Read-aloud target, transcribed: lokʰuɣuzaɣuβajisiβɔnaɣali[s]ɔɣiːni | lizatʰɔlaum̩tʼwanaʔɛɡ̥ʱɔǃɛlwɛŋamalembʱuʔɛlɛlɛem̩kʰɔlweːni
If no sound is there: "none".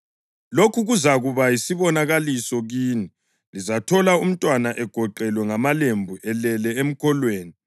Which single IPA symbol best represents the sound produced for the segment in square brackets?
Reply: s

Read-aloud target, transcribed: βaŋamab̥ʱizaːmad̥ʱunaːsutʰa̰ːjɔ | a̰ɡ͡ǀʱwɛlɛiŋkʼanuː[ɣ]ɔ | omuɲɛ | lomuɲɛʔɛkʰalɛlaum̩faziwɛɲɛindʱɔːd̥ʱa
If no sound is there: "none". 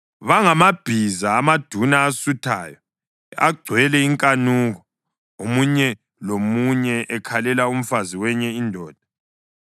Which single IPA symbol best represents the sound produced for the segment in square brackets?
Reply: ɣ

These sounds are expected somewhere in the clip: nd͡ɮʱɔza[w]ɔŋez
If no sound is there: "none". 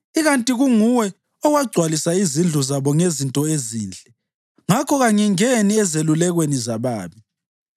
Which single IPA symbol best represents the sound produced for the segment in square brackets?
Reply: β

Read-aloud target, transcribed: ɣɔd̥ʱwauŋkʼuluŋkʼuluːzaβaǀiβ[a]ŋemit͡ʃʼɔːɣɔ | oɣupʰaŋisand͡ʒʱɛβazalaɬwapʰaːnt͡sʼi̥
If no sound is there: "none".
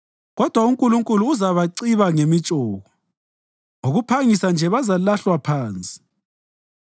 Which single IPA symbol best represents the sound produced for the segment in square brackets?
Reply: a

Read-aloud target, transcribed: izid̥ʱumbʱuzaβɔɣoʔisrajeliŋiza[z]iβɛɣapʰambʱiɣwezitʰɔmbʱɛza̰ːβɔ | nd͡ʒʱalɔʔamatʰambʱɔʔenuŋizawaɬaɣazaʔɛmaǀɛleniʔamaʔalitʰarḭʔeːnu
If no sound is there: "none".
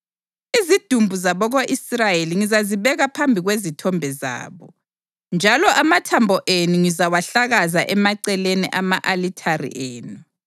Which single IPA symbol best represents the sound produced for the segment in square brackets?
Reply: z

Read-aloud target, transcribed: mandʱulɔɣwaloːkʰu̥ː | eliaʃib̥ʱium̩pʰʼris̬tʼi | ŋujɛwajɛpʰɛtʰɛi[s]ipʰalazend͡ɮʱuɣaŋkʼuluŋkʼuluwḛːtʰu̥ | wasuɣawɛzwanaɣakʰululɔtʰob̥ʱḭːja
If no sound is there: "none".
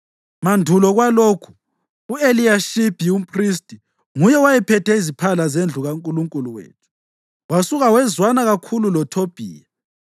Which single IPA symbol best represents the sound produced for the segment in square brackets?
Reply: z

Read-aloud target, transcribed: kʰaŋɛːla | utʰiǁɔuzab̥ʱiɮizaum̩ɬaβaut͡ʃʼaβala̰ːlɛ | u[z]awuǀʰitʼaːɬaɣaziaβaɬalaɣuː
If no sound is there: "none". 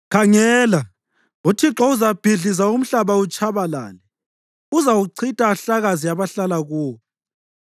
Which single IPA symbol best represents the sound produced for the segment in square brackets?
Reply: z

